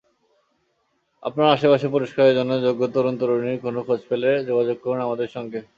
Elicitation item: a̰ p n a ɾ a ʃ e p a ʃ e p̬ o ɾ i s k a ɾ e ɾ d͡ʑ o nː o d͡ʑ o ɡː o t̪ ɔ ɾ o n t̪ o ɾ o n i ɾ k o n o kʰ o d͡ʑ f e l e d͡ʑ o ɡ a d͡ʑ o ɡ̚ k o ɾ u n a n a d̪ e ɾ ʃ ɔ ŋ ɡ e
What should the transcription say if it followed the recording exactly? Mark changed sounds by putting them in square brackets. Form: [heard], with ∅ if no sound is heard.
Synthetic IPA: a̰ p n a ɾ a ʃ e p a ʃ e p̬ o ɾ i [ʃ] k a ɾ e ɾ d͡ʑ o nː o d͡ʑ o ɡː o t̪ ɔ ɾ o n t̪ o ɾ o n i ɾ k o n o kʰ o d͡ʑ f e l e d͡ʑ o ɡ a d͡ʑ o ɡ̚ k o ɾ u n a [m] a d̪ e ɾ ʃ ɔ ŋ ɡ e

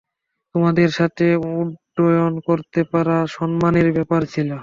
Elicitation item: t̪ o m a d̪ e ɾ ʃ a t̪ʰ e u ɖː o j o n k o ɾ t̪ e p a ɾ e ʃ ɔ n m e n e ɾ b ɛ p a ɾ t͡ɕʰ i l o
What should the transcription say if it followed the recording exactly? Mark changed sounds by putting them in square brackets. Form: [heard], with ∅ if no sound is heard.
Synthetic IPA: t̪ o m a d̪ e ɾ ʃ a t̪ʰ e u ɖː o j o n k o ɾ t̪ e p a ɾ [a] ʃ ɔ n m [a] n e ɾ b ɛ p a ɾ t͡ɕʰ i l o

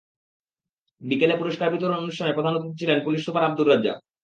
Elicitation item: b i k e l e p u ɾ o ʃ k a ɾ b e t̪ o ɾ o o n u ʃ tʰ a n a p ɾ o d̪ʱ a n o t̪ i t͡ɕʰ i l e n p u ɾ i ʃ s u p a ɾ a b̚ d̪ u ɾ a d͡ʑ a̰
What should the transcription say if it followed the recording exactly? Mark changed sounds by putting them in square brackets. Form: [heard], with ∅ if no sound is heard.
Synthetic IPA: b i k e l e p u ɾ o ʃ k a ɾ b [i] t̪ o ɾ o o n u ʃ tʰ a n [e] p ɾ o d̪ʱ a n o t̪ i t͡ɕʰ i l e n p u [l] i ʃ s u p a ɾ a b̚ d̪ u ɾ a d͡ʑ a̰

